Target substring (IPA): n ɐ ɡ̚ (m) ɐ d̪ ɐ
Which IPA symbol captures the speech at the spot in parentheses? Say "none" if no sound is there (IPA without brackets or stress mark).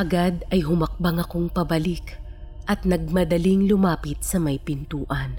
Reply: m